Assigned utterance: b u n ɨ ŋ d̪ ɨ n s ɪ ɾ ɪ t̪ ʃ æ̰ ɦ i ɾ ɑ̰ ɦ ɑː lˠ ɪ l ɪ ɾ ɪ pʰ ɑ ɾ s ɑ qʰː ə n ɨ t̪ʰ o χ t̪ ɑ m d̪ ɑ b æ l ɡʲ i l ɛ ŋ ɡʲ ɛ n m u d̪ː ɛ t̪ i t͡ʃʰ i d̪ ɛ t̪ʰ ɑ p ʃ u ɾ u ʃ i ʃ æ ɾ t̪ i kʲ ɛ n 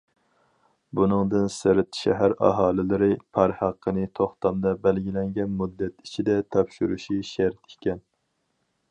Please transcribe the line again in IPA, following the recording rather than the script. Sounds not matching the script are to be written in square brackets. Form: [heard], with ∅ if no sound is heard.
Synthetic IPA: b u n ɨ ŋ d̪ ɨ n s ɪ ɾ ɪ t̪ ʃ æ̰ ɦ [æ] ɾ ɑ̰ ɦ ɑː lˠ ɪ l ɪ ɾ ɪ pʰ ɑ ɾ [h] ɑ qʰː ə n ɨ t̪ʰ o χ t̪ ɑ m d̪ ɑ b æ l ɡʲ i l ɛ ŋ ɡʲ ɛ n m u d̪ː ɛ t̪ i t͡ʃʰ i d̪ ɛ t̪ʰ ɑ p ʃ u ɾ u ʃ i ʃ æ ɾ t̪ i kʲ ɛ n